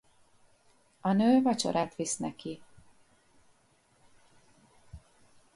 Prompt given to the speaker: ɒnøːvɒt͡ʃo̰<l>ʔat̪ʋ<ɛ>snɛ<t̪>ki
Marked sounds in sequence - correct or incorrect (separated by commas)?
incorrect, incorrect, incorrect